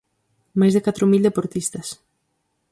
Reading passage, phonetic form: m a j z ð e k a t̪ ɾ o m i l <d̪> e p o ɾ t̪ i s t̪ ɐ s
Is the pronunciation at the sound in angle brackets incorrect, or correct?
correct